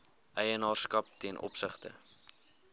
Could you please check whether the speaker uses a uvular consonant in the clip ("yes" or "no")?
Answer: yes